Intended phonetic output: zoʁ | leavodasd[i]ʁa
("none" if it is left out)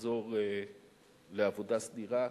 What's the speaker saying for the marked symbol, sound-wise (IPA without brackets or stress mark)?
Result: i